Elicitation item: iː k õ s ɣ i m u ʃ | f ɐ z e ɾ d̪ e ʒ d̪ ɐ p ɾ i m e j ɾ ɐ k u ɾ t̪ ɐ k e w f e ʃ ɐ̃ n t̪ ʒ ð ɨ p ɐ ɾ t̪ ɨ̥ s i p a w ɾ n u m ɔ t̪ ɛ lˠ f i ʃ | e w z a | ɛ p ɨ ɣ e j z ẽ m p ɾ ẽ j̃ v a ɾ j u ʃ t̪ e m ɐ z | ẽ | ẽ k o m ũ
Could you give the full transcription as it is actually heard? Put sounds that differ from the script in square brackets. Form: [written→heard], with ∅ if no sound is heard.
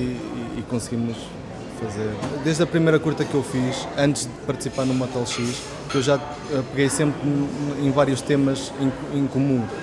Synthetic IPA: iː k õ s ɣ i m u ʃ | f ɐ z e ɾ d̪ e ʒ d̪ ɐ p ɾ i m e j ɾ ɐ k u ɾ t̪ ɐ k e w f [e→i] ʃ ɐ̃ n t̪ ʒ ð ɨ p ɐ ɾ t̪ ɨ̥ s i p a [w→∅] ɾ n u m ɔ t̪ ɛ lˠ [f→ʃ] i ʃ | e w [z→ʒ] a | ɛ p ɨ ɣ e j [z→s] ẽ m p ɾ ẽ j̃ v a ɾ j u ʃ t̪ e m ɐ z | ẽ | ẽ k [o→u] m ũ